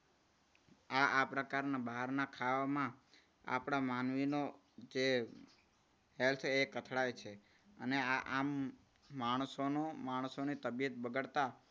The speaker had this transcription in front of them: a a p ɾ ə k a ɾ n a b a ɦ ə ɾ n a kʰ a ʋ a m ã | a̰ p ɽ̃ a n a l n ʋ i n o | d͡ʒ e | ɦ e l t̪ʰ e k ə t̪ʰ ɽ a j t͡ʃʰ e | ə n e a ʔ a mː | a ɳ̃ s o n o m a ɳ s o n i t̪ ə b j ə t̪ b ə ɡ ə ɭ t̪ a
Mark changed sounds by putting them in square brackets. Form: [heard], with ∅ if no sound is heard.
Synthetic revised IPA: a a p ɾ ə k a ɾ n a b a ɦ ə ɾ n a kʰ a ʋ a m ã | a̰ p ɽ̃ a [m] a [∅] n ʋ i n o | d͡ʒ e | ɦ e l t̪ʰ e k ə t̪ʰ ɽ a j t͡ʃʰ e | ə n e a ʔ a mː | a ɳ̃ s o n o m a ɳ s o n i t̪ ə b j ə t̪ b ə ɡ ə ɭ t̪ a

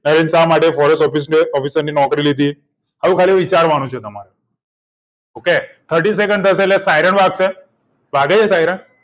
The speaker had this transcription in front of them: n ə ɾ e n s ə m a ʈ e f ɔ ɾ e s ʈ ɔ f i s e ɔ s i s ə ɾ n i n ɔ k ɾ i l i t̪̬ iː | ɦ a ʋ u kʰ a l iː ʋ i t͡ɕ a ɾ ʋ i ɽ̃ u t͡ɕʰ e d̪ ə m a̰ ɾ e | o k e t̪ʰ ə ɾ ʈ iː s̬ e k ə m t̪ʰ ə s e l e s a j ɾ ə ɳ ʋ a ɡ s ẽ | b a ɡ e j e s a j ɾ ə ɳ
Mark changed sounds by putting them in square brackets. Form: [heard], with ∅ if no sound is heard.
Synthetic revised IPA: n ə ɾ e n s [a] m a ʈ e f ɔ ɾ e s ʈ ɔ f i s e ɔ [f] i s ə ɾ n i n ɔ k ɾ i l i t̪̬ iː | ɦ a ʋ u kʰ a l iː ʋ i t͡ɕ a ɾ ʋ [a] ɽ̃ u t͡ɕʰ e [t̪] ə m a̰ ɾ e | o k e t̪ʰ ə ɾ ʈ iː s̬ e k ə [ɳ] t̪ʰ ə s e l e s a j ɾ ə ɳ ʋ a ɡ s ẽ | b a ɡ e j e s a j ɾ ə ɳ

